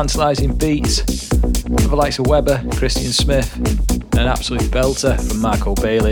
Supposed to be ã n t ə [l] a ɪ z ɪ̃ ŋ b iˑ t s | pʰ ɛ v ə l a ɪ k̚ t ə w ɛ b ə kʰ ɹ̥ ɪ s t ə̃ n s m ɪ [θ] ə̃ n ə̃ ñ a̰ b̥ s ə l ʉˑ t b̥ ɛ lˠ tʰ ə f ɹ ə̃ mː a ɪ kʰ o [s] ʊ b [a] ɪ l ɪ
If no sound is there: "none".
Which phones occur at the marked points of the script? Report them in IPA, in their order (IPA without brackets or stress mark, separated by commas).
l, θ, none, e